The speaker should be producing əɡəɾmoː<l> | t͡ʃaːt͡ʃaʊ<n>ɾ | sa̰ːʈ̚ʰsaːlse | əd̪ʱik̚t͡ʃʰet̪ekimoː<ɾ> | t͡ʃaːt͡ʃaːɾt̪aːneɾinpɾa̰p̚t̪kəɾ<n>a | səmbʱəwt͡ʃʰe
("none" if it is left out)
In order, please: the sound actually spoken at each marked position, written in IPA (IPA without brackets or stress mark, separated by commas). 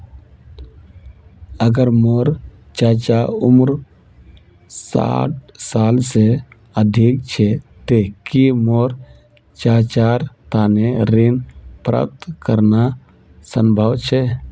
ɾ, m, ɾ, n